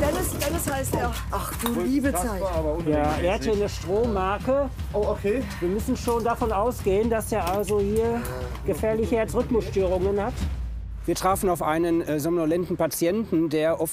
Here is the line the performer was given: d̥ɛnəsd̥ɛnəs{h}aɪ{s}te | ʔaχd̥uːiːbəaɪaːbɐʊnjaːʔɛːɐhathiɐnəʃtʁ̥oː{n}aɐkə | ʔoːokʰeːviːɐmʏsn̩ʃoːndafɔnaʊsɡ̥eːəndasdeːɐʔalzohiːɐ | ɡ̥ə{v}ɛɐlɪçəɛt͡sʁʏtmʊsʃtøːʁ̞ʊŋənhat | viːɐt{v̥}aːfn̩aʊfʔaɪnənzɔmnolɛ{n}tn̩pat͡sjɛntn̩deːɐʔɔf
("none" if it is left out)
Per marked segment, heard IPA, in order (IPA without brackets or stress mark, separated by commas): h, s, m, f, ʁ̥, n